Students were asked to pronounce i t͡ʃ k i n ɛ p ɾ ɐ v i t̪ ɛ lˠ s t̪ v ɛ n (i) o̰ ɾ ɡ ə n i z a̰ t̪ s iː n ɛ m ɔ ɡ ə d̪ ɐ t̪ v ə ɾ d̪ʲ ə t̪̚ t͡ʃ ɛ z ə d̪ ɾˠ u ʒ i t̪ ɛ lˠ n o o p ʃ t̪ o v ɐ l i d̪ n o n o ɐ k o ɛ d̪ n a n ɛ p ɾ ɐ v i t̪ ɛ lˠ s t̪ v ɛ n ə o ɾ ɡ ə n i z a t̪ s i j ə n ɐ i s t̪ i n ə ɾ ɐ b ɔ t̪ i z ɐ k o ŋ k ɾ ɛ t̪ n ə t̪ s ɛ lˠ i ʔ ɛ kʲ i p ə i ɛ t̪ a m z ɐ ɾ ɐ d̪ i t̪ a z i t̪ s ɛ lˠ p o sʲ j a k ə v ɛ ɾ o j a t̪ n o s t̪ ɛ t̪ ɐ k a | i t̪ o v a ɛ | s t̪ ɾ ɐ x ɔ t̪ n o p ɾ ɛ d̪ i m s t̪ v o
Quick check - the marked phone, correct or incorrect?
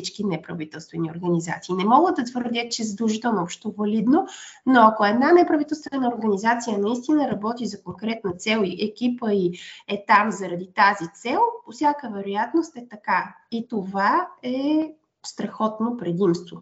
correct